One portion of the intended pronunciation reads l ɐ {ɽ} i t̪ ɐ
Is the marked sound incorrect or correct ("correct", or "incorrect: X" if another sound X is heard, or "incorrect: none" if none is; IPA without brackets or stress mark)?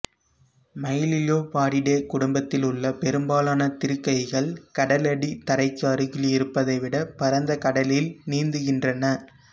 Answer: correct